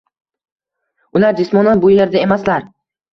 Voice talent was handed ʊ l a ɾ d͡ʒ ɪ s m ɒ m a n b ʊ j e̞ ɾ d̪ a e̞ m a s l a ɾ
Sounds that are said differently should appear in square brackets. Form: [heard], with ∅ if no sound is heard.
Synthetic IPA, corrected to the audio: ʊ l a ɾ d͡ʒ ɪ s m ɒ [n] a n b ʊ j e̞ ɾ d̪ a e̞ m a s l a ɾ